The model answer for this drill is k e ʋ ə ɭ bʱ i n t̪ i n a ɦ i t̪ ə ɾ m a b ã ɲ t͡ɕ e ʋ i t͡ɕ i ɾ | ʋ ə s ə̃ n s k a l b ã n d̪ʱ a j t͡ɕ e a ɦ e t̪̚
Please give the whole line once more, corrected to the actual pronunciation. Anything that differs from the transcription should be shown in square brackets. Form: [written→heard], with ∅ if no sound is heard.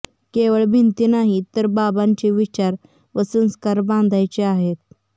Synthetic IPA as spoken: k e ʋ ə ɭ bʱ i n t̪ i n a ɦ i t̪ ə ɾ [m→b] a b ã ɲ t͡ɕ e ʋ i t͡ɕ [i→a] ɾ | ʋ ə s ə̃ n s k a [l→ɾ] b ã n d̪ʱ a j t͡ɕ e a ɦ e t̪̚